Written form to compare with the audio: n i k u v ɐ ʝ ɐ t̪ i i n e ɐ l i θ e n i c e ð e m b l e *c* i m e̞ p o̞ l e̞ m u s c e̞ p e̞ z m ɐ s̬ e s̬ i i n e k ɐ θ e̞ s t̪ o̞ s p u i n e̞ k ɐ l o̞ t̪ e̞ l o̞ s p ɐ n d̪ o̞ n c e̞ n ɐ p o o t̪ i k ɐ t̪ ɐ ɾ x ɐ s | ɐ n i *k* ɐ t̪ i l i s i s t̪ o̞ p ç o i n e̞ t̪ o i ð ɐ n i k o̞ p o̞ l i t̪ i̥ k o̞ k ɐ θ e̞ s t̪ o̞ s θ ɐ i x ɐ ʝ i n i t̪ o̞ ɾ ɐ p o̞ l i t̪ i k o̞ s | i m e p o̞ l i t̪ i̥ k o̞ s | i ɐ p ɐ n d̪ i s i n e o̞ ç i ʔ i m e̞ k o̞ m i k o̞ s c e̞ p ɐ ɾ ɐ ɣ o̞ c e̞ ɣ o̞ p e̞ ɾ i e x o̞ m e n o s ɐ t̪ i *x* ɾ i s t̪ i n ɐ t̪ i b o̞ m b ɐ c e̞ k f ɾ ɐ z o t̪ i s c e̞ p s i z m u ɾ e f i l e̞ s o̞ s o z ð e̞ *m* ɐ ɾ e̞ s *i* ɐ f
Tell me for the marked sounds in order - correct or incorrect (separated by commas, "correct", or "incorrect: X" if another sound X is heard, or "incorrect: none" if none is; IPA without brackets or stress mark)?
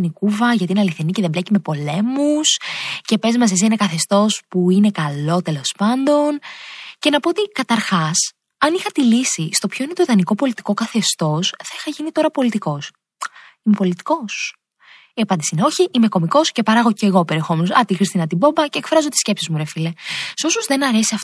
correct, incorrect: x, correct, incorrect: n, correct